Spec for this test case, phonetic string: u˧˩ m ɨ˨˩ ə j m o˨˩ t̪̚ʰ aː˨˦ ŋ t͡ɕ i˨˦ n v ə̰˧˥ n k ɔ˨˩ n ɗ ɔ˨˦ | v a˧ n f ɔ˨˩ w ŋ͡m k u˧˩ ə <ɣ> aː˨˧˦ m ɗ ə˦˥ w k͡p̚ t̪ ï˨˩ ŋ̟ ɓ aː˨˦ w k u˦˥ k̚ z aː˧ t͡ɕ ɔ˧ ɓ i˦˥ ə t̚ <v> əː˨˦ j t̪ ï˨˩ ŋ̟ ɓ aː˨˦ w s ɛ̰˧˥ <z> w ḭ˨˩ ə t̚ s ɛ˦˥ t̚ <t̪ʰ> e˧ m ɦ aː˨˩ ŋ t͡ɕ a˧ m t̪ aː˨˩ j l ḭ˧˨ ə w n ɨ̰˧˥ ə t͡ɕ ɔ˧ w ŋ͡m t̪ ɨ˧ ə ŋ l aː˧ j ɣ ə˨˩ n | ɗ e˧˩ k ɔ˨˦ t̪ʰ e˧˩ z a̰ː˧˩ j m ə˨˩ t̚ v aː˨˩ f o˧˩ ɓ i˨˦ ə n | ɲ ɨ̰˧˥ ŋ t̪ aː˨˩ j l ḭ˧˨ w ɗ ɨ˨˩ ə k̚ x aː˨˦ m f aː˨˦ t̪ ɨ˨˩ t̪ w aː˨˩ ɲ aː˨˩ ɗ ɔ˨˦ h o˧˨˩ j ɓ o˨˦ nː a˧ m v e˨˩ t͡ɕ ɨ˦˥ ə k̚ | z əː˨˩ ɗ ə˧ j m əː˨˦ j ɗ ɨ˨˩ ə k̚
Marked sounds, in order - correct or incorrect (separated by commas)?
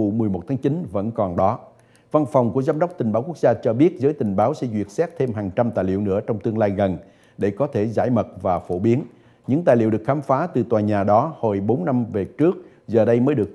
incorrect, incorrect, correct, correct